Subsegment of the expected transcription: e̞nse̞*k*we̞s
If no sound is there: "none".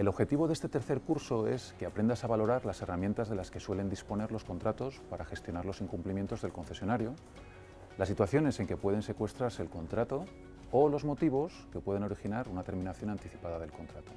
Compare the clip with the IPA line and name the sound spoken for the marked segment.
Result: k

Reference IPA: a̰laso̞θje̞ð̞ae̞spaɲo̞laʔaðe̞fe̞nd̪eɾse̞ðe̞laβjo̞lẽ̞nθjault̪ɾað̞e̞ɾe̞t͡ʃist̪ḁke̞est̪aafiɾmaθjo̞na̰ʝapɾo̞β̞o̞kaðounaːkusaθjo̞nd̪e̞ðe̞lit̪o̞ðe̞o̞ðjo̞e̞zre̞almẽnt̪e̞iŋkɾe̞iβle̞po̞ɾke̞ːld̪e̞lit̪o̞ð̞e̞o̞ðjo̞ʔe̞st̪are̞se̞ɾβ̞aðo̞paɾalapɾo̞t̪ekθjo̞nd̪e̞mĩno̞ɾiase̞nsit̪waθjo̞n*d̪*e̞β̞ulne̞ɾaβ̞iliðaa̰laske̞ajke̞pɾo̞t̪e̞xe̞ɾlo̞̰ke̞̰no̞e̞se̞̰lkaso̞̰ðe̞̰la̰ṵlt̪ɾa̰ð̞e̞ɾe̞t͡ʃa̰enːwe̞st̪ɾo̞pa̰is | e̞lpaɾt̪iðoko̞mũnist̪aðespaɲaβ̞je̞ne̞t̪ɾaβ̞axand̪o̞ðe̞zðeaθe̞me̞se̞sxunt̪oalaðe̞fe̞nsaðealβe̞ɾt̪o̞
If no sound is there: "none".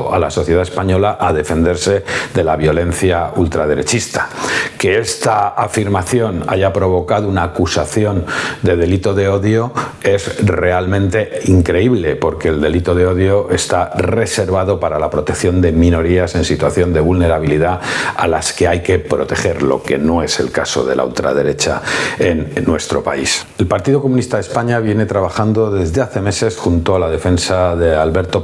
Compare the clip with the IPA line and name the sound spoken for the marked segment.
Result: d̪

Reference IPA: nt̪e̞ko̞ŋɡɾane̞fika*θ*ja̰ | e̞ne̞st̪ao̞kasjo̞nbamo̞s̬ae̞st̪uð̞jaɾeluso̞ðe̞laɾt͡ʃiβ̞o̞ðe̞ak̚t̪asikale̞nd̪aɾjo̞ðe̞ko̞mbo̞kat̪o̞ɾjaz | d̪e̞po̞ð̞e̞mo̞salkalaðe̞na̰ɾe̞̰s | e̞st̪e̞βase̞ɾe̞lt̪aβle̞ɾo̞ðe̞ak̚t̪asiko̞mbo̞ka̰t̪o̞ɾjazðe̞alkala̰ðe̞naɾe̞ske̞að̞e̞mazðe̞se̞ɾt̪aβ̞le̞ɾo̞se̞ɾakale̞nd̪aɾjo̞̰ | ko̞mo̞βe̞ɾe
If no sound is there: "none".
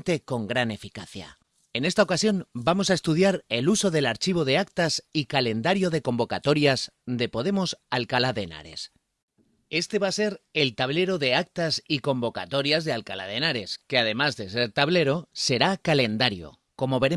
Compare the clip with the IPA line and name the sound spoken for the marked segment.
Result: θ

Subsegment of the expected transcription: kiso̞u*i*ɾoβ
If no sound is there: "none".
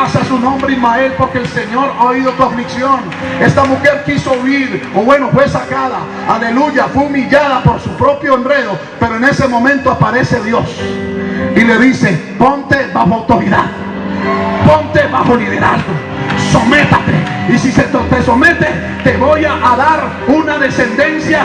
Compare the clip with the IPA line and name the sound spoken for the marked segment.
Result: i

